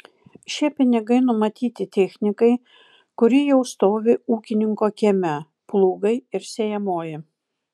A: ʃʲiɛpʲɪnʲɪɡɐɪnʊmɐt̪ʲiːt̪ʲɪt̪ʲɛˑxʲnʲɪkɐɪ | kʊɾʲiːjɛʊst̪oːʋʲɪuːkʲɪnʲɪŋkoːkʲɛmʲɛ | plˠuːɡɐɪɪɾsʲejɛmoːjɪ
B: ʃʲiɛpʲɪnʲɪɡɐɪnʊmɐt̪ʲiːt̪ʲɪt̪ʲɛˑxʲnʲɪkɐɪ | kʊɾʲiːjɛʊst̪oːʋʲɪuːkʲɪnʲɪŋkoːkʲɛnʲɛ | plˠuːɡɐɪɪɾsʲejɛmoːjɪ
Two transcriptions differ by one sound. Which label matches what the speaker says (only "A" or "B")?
A